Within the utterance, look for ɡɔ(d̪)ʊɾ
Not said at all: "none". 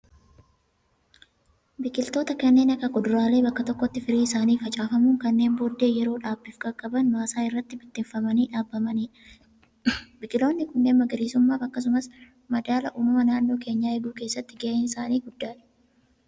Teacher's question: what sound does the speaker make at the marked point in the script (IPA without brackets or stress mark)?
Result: d̪